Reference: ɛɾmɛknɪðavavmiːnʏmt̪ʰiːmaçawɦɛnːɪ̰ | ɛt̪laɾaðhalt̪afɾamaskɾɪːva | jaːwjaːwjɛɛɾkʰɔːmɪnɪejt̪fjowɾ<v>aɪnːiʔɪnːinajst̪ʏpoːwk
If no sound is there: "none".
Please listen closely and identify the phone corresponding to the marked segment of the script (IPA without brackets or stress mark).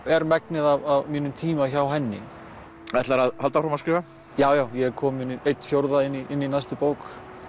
ð